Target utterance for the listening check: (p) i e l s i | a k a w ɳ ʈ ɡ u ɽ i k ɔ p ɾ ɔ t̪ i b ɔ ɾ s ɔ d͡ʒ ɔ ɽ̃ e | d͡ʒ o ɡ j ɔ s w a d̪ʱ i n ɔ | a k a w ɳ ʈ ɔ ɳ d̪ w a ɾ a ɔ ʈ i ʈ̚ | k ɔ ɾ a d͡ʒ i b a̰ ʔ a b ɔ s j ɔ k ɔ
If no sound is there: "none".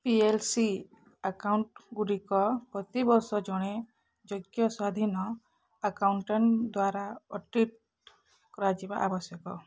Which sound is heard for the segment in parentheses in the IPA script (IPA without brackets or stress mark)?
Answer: p